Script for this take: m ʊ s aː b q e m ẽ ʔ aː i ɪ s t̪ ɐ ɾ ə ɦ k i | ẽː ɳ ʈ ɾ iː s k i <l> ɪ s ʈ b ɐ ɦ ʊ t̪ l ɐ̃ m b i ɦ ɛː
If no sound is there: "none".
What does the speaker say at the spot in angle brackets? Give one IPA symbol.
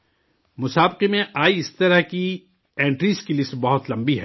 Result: l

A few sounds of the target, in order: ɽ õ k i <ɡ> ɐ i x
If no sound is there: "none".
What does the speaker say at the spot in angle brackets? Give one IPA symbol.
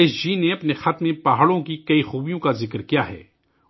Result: k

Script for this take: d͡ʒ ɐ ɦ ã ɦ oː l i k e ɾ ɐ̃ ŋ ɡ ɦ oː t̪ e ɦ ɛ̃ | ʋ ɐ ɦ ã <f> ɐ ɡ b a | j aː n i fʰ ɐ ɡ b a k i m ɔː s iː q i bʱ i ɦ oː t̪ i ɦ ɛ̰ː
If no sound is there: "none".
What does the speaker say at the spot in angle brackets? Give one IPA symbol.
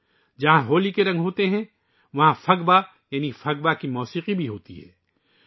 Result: f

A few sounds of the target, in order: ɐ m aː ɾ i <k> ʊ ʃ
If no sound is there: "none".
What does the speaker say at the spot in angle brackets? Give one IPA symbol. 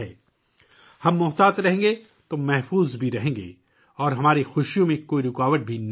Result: x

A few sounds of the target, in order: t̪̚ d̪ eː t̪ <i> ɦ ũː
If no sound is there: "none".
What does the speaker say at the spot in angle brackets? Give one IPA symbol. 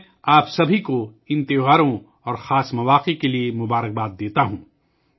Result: a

